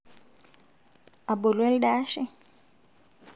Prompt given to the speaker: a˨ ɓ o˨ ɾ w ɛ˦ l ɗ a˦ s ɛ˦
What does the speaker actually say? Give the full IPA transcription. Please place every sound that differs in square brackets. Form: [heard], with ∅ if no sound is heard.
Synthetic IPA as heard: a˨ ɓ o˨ [l] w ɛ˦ l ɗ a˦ [ʃ] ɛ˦

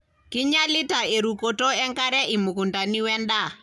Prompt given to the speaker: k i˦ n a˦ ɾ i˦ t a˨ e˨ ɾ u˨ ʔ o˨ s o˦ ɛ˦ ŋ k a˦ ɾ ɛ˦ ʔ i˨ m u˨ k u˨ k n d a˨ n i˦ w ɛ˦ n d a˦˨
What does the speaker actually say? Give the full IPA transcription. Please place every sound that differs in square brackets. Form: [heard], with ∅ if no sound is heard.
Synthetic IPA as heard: k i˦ [ɲ] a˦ [l] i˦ t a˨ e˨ ɾ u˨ [k] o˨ [t] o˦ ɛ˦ ŋ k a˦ ɾ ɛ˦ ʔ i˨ m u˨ k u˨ [∅] n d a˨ n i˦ w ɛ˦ n d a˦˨

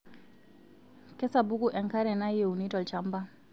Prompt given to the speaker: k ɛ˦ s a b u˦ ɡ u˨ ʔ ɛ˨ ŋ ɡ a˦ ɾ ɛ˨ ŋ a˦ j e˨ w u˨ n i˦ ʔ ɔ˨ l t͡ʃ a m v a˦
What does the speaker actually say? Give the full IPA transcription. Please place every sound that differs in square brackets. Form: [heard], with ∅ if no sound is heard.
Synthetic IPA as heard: k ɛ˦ s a b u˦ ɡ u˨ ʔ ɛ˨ ŋ [k] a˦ ɾ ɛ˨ [n] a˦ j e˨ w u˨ n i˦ [t] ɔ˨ l t͡ʃ a m [b] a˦

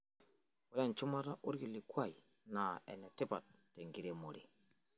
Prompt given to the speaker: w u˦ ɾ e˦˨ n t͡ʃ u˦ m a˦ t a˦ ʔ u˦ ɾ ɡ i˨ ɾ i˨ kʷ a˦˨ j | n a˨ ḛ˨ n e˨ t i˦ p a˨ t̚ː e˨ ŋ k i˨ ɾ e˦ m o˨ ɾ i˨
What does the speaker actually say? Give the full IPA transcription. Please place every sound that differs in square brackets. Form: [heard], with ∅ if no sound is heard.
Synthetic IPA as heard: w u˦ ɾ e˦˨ n t͡ʃ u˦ m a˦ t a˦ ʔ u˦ ɾ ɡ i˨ [l] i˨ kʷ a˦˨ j | n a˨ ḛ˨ n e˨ t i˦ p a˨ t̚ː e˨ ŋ [ɡ] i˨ ɾ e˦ m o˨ ɾ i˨

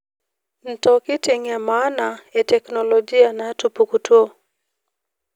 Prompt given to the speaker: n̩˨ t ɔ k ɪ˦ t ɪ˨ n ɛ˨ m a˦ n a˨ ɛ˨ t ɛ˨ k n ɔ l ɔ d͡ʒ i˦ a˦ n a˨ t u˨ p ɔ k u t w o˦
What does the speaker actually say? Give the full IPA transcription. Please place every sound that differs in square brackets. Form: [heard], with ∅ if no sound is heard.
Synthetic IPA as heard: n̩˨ t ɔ k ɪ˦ t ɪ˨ [ŋ] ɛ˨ m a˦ n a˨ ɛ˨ t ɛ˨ k n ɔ l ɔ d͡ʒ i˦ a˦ n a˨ t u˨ p [u] k u t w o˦

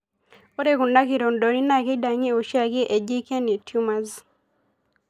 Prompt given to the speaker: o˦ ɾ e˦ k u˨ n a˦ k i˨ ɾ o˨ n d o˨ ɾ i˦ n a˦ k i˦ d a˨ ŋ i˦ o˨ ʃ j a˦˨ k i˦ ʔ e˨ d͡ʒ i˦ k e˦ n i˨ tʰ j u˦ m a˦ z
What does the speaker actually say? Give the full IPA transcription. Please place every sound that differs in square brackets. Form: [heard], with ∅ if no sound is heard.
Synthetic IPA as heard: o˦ ɾ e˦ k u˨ n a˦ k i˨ ɾ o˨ n d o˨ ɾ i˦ n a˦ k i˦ d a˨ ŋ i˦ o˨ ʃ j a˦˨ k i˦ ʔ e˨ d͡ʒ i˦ k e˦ n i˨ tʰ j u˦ m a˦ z

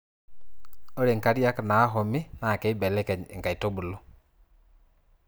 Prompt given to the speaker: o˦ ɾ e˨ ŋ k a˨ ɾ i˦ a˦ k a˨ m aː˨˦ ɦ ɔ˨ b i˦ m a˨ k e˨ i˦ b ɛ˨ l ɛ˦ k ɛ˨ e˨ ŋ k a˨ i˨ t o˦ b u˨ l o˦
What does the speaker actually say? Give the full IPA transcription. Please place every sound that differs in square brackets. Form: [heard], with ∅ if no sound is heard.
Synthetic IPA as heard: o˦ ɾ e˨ ŋ k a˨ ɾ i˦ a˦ k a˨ [n] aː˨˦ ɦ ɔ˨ [m] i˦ [n] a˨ k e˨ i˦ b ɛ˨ l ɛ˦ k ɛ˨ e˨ ŋ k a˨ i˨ t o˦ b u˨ l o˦

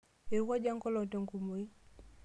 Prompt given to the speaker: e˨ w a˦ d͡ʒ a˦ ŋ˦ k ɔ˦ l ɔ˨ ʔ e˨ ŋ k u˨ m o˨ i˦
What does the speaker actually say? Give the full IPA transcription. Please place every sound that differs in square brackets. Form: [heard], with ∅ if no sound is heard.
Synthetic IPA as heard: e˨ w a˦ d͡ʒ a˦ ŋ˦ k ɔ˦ l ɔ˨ [t] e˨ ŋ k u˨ m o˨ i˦

